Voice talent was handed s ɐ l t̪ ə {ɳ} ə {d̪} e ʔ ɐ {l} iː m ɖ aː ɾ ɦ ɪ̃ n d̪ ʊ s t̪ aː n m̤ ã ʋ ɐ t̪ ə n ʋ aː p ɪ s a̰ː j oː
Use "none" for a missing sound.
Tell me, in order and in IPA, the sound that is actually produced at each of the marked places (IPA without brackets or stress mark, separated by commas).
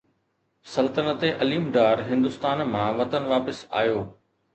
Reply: n, t̪, l